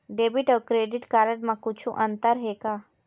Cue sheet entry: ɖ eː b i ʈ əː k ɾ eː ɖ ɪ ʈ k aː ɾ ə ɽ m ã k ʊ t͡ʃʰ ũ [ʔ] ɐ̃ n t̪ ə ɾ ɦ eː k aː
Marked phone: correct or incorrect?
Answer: correct